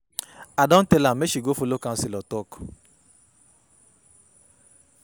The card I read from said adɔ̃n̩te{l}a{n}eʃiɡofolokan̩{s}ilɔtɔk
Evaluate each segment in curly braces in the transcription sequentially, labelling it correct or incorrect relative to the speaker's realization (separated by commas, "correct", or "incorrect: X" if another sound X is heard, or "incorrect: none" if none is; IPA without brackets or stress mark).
correct, incorrect: m, correct